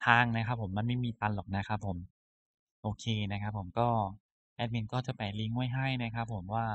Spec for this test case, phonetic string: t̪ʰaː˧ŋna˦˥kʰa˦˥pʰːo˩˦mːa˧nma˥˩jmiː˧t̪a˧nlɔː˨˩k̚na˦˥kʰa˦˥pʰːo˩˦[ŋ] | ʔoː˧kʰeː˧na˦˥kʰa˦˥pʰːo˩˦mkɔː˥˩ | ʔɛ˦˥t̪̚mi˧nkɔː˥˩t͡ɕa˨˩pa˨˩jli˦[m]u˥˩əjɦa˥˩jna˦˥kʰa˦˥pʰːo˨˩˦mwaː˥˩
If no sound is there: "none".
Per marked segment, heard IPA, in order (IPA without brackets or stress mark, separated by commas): m, ŋ